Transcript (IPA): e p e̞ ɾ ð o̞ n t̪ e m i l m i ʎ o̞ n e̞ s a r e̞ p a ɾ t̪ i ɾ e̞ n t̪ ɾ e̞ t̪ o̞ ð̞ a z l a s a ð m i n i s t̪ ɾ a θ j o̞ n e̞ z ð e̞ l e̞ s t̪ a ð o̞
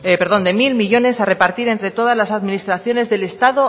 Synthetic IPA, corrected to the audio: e p e̞ ɾ ð o̞ n d̪ e m i l m i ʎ o̞ n e̞ s a r e̞ p a ɾ t̪ i ɾ e̞ n t̪ ɾ e̞ t̪ o̞ ð̞ a z l a s a ð m i n i s t̪ ɾ a θ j o̞ n e̞ z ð e̞ l e̞ s t̪ a ð o̞